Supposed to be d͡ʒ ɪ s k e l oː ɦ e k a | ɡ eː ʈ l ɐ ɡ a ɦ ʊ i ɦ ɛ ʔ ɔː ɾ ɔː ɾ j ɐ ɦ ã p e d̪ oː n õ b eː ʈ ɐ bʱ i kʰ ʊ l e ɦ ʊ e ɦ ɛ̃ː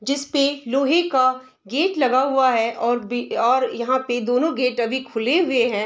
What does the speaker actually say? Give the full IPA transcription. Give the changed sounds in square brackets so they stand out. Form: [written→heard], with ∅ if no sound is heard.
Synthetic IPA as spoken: d͡ʒ ɪ s [k→p] e l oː ɦ e k a | ɡ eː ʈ l ɐ ɡ a ɦ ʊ [i→a] ɦ ɛ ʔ ɔː ɾ ɔː ɾ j ɐ ɦ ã p e d̪ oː n õ [b→ɡ] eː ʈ ɐ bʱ i kʰ ʊ l e ɦ ʊ e ɦ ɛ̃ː